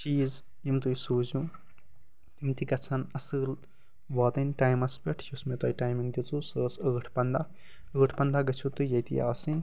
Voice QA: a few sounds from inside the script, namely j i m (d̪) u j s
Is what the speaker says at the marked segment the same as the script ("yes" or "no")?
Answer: no